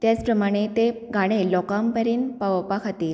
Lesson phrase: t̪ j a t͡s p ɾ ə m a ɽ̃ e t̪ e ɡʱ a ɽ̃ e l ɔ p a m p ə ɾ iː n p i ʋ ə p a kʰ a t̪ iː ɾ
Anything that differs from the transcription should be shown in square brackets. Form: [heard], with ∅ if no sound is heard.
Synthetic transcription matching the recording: t̪ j a t͡s p ɾ ə m a ɽ̃ e t̪ e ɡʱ a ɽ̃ e l ɔ [k] a m p ə ɾ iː n p [a] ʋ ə p a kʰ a t̪ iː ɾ